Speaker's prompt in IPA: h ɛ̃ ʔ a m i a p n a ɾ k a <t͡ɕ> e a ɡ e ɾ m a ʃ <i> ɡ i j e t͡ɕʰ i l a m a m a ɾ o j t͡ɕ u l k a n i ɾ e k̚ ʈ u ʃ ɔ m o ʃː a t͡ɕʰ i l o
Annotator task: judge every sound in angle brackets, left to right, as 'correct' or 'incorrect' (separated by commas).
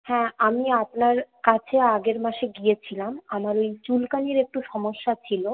incorrect, incorrect